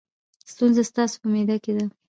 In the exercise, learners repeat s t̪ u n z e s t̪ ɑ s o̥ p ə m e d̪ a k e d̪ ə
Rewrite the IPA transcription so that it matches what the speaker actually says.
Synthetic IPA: s t̪ u n z a s t̪ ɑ s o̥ p ə m e d̪ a k e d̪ a